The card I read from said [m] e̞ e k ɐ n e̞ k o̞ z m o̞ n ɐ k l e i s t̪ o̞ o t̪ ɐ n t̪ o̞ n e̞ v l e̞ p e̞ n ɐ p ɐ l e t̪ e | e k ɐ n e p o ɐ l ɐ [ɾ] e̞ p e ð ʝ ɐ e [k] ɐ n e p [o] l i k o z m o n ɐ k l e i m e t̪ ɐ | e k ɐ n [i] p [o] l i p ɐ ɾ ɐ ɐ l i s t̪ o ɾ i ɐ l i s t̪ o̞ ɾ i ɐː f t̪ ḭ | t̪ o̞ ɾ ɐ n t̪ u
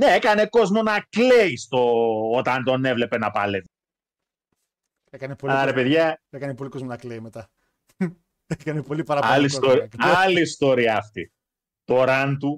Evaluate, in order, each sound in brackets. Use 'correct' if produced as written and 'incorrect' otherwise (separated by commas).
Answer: incorrect, correct, correct, correct, incorrect, correct